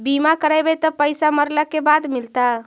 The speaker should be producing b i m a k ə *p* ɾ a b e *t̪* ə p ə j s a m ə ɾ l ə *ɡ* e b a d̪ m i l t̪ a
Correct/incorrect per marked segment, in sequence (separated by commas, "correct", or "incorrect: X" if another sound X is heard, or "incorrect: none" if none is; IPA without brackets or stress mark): incorrect: none, correct, incorrect: k